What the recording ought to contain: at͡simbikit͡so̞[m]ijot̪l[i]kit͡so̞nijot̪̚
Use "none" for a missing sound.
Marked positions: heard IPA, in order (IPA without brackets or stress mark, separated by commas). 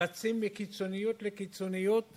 n, e